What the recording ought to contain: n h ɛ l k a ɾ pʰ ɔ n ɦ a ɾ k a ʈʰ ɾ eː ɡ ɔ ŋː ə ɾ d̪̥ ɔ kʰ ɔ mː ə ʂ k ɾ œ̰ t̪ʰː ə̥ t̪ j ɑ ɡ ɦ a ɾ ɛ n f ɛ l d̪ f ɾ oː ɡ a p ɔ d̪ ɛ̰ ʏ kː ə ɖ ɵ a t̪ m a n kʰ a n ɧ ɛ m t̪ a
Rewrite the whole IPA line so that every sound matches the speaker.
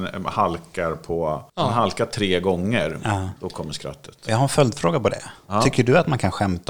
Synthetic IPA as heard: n h a l k a ɾ pʰ ɔ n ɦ a l k a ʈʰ ɾ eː ɡ ɔ ŋː ə ɾ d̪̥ ɔ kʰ ɔ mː ə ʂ k ɾ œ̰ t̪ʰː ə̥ t̪ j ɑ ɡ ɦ a ɾ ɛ n f œ l d̪ f ɾ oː ɡ a p ɔ d̪ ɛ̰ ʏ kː ə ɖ ɵ a t̪ m a n kʰ a n ɧ ɛ m t̪ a